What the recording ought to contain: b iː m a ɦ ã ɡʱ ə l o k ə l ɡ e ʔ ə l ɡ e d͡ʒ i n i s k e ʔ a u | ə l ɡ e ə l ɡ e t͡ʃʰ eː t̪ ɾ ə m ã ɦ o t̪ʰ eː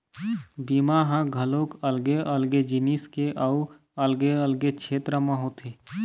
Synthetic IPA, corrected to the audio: b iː m a ɦ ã ɡʱ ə l o k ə l ɡ e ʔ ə l ɡ e d͡ʒ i n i s k e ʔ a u | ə l ɡ e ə l ɡ e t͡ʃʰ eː t̪ ɾ ə m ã ɦ o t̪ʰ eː